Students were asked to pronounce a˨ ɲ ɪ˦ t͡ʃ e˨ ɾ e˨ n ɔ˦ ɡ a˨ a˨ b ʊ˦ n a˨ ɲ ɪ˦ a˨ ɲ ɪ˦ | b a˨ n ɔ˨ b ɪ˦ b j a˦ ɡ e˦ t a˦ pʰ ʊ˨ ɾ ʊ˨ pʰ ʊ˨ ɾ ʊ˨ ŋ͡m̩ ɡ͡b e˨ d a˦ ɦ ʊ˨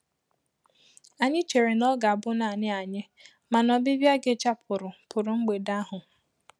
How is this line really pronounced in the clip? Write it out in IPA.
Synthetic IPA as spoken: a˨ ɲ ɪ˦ t͡ʃ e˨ ɾ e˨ n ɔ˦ ɡ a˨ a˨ b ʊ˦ n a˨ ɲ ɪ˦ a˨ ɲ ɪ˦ | m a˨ n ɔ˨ b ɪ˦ b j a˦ ɡ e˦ t͡ʃ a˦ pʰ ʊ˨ ɾ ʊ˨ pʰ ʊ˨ ɾ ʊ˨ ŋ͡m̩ ɡ͡b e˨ d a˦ ɦ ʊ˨